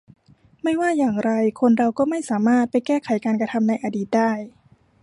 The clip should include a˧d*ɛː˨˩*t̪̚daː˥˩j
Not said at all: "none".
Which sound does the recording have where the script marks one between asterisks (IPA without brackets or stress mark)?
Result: iː˨˩